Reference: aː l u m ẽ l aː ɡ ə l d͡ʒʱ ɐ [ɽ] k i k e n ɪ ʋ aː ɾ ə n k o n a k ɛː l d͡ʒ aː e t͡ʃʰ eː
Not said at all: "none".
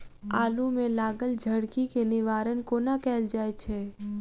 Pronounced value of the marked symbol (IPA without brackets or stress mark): ɽ